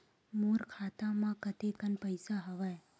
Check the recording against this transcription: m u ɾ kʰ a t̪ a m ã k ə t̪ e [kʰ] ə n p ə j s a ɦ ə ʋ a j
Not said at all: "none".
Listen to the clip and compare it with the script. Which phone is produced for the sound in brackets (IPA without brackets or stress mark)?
k